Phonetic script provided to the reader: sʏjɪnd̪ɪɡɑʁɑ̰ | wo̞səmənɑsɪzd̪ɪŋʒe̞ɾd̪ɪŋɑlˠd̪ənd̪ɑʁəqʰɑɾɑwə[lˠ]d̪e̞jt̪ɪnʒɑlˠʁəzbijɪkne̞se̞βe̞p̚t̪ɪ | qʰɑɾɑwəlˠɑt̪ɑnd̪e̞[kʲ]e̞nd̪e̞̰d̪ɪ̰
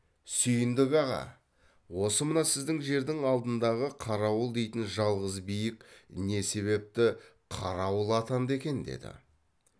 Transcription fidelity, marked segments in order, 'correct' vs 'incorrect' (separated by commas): correct, correct